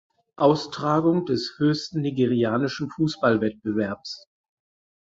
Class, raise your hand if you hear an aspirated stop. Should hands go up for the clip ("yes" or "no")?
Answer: no